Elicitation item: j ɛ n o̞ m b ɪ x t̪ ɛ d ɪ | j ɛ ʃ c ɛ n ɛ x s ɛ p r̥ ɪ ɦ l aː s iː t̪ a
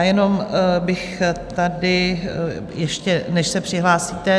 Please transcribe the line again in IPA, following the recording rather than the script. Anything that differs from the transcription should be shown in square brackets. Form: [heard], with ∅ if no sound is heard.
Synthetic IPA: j ɛ n o̞ m b ɪ x t̪ [a] d ɪ | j ɛ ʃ c ɛ n ɛ [ʃ] s ɛ p r̥ ɪ ɦ l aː s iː t̪ [ɛ]